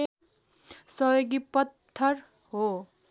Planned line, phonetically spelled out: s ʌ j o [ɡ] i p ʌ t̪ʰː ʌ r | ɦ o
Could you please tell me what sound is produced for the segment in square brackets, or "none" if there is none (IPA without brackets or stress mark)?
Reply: ɡ